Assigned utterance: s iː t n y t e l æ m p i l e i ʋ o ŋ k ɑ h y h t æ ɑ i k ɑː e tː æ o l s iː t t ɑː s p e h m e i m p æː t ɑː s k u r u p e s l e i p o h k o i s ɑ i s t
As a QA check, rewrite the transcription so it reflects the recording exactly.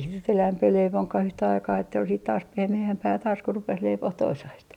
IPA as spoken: s i t n y t e l æ m p i l e i ʋ o ŋ k ɑ h y h t æ ɑ i k ɑː e tː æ o l s iː t t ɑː s p e h m e æ m p æː t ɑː s k u r u p e s l e i p o h t o i s ɑ i s t